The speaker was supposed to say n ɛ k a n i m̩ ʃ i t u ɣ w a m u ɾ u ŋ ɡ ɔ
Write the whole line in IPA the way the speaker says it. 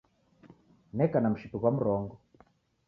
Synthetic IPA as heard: n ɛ k a n a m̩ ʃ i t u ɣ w a m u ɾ ɔ ŋ ɡ ɔ